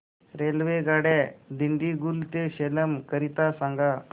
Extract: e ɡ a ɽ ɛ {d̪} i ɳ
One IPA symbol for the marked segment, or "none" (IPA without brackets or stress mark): d̪